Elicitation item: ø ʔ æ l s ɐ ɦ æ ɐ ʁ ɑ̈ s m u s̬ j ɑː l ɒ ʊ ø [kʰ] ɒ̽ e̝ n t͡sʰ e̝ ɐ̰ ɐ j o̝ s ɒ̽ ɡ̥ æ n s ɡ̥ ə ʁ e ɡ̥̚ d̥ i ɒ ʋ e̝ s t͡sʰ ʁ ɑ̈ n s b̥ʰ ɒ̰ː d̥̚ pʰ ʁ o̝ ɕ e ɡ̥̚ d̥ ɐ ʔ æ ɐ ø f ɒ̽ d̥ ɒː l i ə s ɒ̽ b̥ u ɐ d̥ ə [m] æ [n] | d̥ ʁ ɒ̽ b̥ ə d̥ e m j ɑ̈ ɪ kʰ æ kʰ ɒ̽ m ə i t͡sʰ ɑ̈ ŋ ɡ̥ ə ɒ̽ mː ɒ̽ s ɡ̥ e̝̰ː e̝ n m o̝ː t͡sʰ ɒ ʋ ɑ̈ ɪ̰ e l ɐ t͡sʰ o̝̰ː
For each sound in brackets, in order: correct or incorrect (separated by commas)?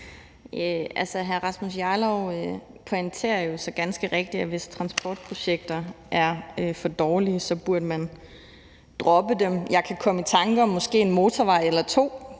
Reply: incorrect, correct, correct